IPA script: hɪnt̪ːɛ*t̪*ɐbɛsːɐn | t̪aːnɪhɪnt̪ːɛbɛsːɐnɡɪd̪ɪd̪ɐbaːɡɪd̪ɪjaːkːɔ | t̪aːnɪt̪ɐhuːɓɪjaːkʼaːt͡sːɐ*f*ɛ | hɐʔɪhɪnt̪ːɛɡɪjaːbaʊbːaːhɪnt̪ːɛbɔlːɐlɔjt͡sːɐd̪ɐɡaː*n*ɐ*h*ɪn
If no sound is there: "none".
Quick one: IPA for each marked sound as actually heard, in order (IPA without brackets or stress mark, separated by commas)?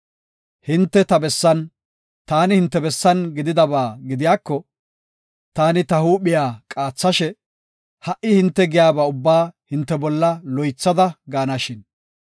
t̪, ʃ, n, ʃ